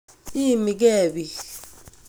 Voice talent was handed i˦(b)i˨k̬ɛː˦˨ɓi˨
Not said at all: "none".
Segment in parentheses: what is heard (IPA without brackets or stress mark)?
m